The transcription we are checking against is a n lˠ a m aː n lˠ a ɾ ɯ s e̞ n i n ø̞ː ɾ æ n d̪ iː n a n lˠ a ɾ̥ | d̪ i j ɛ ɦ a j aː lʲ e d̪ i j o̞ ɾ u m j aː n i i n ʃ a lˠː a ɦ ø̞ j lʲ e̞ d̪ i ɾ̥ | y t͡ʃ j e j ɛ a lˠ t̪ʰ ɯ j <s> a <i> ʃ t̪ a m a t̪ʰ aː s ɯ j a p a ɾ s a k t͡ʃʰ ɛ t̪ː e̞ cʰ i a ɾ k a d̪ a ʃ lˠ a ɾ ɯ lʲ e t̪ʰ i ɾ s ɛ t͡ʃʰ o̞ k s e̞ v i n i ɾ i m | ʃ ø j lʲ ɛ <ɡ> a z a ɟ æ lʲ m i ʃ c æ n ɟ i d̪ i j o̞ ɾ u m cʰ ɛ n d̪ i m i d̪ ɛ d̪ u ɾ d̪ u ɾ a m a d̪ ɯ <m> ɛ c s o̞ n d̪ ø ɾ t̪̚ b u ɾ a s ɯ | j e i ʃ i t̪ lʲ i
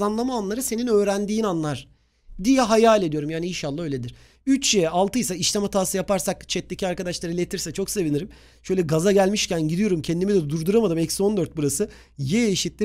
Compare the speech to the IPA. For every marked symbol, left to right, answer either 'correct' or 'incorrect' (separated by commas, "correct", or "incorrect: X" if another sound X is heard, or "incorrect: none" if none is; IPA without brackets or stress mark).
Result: correct, correct, correct, correct